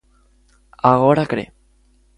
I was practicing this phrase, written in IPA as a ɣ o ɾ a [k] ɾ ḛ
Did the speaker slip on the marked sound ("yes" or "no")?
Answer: no